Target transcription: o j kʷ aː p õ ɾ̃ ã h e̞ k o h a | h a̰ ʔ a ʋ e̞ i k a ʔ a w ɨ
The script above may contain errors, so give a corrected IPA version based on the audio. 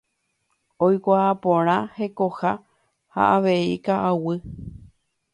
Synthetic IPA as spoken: o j kʷ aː p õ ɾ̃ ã h e̞ k o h a | h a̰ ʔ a ʋ e̞ i k a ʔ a w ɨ